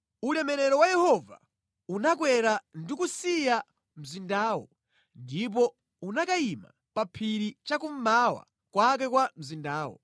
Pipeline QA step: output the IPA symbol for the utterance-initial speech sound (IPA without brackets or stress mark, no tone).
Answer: u